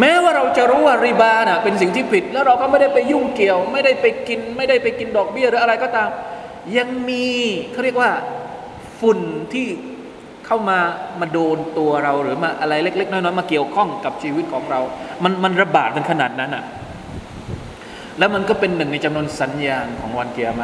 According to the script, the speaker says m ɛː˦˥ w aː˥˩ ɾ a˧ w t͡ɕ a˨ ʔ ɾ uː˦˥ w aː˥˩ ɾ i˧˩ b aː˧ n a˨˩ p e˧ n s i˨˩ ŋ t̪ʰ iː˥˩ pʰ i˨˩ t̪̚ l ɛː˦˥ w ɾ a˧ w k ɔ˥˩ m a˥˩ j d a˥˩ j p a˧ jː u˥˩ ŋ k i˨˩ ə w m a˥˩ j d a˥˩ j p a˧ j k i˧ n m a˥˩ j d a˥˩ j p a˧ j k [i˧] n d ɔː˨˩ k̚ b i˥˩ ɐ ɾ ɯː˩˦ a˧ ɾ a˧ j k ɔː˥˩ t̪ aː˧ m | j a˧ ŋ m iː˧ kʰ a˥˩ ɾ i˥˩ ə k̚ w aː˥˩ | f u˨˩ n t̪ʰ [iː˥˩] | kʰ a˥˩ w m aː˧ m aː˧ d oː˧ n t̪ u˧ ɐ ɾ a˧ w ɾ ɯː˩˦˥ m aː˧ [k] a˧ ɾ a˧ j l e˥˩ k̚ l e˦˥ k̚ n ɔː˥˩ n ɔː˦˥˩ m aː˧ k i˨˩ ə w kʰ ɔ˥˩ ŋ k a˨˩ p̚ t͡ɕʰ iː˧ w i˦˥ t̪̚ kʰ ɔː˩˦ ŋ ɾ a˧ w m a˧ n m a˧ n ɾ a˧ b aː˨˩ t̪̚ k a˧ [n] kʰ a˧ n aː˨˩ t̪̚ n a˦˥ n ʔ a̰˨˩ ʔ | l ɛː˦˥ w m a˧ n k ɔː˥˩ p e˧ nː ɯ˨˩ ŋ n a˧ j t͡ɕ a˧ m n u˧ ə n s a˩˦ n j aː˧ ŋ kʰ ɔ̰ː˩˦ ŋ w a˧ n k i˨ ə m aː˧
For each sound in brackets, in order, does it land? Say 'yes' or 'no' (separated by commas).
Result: yes, yes, no, yes